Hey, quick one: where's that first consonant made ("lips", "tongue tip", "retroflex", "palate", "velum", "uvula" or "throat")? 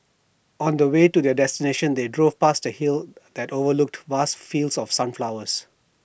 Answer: tongue tip